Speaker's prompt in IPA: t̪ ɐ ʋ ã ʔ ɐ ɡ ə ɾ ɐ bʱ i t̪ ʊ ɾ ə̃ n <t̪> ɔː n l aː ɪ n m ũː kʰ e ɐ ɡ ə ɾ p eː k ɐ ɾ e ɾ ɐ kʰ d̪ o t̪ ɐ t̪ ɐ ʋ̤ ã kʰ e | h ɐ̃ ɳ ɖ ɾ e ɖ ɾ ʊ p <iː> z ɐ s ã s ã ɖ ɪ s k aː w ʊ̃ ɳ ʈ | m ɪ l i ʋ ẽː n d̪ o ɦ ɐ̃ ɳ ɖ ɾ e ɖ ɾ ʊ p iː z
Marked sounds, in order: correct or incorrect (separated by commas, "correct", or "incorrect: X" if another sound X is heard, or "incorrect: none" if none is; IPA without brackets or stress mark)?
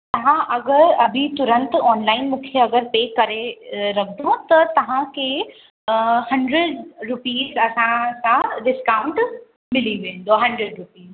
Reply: correct, correct